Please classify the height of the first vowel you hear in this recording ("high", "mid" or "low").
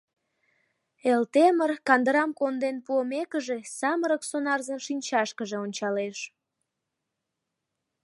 mid